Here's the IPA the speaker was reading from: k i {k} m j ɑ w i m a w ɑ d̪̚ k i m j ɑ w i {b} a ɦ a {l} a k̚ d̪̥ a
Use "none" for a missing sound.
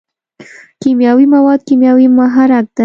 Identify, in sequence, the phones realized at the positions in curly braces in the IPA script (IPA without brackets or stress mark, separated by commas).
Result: none, m, ɾ